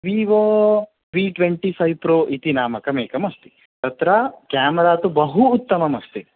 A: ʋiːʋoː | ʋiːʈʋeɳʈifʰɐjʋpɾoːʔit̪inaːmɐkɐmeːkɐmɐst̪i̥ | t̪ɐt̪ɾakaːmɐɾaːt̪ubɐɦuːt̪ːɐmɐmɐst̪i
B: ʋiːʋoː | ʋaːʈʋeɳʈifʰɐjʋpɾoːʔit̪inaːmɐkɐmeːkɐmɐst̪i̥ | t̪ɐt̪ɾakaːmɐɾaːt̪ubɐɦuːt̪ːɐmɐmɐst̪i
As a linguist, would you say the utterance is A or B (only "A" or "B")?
A